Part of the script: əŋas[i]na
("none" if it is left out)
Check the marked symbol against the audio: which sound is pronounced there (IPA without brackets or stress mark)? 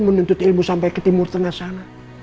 a